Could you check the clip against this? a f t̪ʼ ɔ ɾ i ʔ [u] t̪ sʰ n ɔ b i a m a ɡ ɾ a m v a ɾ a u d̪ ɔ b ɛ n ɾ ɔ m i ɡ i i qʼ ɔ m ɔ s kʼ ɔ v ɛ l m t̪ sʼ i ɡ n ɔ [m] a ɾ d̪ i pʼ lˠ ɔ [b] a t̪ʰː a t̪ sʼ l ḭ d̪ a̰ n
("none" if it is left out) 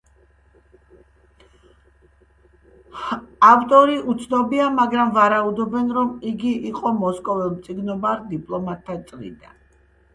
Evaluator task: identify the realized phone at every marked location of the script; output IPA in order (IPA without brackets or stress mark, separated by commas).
u, b, m